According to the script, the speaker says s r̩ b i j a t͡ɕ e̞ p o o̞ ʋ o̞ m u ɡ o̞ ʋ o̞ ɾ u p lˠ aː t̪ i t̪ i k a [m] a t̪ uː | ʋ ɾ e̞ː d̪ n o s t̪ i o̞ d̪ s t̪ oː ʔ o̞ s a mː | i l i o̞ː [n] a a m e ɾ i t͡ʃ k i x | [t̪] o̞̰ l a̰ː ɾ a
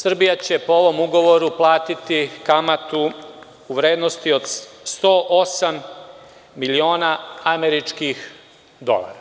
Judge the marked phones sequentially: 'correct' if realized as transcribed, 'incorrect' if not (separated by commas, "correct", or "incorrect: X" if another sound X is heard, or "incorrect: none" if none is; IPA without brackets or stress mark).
correct, correct, incorrect: d̪